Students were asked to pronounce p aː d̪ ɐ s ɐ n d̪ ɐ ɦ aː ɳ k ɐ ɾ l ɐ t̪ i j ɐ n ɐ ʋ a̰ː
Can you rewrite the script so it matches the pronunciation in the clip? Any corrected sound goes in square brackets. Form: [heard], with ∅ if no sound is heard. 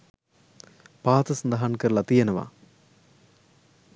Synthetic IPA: p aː [t̪] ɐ s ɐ n d̪ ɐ ɦ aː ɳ k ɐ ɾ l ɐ t̪ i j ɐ n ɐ ʋ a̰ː